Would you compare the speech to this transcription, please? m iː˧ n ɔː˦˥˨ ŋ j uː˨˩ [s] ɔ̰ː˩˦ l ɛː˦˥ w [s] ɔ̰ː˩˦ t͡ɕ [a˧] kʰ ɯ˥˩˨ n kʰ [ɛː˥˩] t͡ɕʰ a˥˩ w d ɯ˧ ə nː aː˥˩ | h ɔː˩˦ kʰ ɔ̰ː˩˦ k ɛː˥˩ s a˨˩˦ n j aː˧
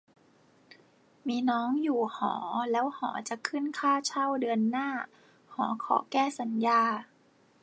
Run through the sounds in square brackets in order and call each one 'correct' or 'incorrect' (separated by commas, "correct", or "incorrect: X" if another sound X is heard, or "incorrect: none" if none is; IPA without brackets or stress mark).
incorrect: h, incorrect: h, incorrect: a˨˩, incorrect: aː˥˩